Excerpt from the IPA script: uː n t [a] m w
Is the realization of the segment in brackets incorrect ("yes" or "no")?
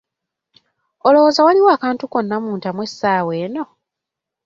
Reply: no